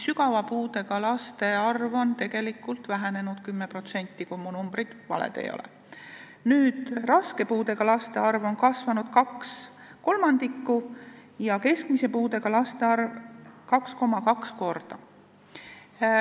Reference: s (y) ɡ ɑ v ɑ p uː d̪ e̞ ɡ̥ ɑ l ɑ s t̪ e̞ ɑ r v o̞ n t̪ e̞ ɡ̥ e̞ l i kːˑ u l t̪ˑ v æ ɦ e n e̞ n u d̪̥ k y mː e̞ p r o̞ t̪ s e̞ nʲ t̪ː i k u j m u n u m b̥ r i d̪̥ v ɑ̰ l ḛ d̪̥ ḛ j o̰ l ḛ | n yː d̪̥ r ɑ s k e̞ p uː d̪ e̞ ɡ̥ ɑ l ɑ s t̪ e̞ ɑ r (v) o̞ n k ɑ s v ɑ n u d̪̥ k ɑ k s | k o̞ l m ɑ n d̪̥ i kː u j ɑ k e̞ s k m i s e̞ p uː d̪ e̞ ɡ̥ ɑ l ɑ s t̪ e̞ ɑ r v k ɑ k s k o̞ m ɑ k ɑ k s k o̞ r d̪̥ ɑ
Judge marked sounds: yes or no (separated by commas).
yes, yes